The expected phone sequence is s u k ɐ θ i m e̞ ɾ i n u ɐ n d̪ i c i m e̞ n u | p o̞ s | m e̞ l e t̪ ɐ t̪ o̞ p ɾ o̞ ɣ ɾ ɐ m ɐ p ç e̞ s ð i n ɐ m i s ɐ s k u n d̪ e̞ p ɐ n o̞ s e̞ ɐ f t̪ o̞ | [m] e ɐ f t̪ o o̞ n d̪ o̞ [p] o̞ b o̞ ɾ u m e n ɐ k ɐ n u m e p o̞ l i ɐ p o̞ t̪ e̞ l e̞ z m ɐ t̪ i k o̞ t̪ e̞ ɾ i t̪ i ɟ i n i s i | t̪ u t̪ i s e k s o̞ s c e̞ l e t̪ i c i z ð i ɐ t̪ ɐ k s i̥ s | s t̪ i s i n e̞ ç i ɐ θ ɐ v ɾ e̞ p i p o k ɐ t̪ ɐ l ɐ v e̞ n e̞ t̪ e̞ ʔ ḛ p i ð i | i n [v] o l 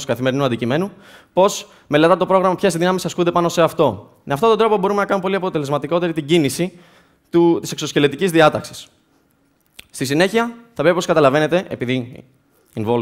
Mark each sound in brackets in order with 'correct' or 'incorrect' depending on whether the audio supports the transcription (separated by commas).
correct, correct, correct